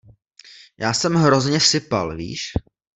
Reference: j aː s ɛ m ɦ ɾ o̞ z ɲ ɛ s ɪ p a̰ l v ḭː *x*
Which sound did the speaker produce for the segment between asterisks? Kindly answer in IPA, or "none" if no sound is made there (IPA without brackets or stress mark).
ʃ